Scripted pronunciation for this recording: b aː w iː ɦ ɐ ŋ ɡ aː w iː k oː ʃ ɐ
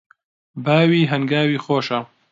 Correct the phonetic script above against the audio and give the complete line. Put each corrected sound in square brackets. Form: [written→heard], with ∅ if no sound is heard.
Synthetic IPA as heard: b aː w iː ɦ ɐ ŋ ɡ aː w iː [k→x] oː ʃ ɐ